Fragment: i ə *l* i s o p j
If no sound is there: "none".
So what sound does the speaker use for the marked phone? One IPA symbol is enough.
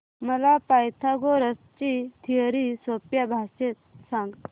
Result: ɾ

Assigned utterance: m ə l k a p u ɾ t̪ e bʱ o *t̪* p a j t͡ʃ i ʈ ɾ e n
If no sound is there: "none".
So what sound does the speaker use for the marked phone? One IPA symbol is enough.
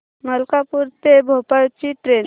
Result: none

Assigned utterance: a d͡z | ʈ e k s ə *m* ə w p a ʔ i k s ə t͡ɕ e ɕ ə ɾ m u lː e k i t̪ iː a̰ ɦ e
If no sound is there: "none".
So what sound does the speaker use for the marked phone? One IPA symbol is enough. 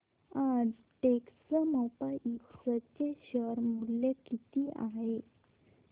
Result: m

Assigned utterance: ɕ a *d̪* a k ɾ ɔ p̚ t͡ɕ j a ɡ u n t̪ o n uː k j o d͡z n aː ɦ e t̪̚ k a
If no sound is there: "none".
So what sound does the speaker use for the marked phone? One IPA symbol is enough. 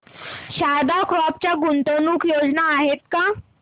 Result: d̪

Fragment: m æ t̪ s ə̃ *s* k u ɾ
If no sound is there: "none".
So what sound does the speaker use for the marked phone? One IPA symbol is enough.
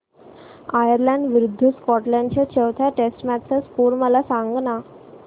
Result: s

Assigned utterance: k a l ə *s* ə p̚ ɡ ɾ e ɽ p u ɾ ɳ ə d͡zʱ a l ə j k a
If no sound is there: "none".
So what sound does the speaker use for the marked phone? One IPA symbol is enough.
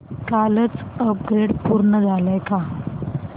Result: t͡s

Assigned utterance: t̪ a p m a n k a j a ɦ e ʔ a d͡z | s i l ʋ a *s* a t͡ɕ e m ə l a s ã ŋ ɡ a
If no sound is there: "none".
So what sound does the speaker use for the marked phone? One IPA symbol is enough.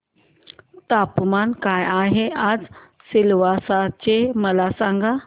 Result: s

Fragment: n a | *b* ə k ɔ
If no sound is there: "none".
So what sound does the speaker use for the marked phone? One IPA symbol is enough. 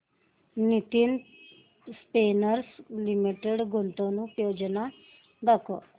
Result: ɡ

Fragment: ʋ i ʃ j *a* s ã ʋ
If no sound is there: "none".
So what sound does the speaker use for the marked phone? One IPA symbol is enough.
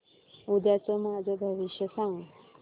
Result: ə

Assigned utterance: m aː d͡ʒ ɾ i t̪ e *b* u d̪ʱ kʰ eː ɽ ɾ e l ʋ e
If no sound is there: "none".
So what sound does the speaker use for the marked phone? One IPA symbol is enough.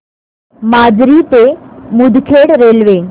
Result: m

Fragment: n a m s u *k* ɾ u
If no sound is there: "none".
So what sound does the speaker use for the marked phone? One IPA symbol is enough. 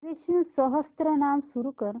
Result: none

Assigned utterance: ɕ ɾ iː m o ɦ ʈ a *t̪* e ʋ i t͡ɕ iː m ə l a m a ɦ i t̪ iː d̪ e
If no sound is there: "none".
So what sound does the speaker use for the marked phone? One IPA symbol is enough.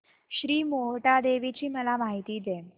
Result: d̪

